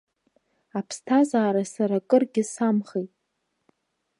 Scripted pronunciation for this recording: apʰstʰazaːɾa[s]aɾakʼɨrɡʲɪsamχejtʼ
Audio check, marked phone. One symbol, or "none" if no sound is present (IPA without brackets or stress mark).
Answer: s